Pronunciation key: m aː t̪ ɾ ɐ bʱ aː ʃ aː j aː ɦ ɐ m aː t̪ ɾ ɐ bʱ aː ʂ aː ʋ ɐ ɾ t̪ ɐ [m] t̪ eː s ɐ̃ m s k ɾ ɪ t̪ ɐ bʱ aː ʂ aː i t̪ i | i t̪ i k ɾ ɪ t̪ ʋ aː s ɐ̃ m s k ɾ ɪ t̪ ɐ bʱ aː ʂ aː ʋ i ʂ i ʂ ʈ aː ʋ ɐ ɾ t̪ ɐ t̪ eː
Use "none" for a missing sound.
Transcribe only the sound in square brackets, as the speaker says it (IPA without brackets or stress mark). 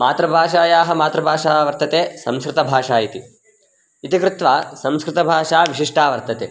none